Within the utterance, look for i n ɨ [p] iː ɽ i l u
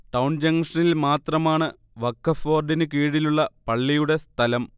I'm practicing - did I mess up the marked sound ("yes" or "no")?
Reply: yes